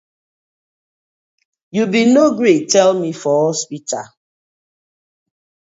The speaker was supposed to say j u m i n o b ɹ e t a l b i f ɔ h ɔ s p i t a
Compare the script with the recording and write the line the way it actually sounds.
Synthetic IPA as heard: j u b i n o ɡ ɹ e t ɛ l m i f ɔ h ɔ s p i t a